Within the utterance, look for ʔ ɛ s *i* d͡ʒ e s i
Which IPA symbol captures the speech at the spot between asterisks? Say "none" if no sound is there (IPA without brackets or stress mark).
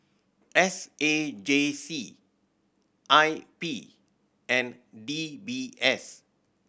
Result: e